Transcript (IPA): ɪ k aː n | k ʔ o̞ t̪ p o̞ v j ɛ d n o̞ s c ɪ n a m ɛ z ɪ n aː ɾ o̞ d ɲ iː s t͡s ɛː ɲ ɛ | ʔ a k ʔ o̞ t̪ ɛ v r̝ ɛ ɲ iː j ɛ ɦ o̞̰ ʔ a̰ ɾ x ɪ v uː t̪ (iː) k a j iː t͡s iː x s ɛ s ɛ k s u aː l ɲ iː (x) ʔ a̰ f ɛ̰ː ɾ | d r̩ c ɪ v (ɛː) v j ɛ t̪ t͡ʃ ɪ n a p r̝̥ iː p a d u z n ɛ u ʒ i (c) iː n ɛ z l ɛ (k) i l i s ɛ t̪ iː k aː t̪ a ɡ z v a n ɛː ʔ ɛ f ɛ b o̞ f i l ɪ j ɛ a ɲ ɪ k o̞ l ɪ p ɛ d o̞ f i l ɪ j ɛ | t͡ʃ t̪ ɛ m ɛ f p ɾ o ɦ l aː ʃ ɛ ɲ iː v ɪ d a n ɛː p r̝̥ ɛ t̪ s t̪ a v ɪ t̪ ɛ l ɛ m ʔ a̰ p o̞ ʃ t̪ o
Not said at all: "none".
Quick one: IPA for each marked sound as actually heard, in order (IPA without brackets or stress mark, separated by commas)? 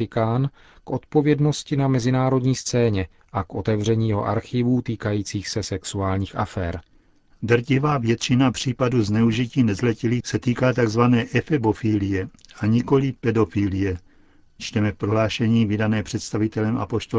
iː, x, aː, c, c